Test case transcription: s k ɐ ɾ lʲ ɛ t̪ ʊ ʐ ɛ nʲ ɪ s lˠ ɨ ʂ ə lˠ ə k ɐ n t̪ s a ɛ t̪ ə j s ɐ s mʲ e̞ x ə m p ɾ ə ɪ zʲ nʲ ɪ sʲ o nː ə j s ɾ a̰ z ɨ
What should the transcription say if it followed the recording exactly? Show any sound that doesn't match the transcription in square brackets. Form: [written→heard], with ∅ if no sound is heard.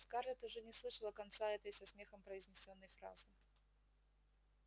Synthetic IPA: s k [ɐ→a] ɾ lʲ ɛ t̪ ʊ ʐ ɛ nʲ ɪ s lˠ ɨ ʂ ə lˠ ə k ɐ n t̪ s a ɛ t̪ ə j s ɐ s mʲ e̞ x ə m p ɾ ə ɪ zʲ nʲ ɪ sʲ o nː ə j [s→f] ɾ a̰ z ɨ